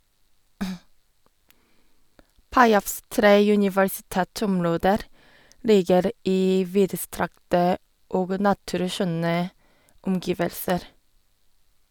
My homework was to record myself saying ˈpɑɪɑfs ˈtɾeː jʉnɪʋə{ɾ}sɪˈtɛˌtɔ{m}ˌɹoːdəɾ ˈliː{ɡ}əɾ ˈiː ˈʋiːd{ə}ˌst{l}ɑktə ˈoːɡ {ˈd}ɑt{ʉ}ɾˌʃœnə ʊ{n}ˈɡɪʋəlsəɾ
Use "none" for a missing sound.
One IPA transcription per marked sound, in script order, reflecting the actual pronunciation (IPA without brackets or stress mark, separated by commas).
ɹ, m, ɡ, ə, ɾ, n, ʉ, m